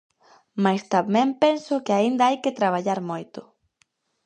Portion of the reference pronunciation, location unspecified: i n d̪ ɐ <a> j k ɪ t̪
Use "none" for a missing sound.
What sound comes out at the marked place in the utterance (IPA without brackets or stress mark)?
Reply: a